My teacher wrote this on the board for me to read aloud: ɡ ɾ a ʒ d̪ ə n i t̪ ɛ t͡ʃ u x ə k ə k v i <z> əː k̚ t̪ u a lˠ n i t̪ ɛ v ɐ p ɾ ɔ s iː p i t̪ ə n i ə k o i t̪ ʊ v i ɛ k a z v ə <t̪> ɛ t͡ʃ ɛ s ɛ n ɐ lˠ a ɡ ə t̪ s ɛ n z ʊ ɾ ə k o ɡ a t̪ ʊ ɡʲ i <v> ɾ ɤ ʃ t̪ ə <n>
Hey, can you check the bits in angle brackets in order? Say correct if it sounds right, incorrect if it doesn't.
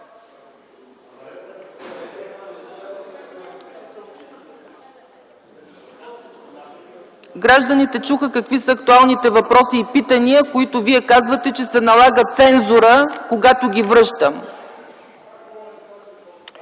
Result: incorrect: s, correct, correct, incorrect: m

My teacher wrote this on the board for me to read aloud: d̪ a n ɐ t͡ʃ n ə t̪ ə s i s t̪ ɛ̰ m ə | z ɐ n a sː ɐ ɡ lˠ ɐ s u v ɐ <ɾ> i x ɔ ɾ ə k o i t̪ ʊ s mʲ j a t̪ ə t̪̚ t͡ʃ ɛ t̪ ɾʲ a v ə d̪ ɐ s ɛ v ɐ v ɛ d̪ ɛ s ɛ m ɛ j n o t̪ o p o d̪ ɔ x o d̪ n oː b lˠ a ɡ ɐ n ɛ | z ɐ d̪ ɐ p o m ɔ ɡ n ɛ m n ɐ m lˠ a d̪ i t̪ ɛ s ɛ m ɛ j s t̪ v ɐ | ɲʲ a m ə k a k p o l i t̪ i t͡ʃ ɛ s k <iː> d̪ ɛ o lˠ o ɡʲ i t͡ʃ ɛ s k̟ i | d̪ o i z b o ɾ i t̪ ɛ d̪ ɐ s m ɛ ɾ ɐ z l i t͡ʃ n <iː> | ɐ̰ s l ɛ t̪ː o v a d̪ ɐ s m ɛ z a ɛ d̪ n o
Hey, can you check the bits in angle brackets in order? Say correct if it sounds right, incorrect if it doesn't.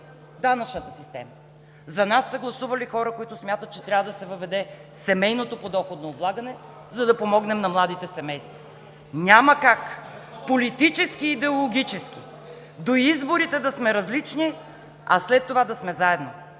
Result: incorrect: l, correct, incorrect: i

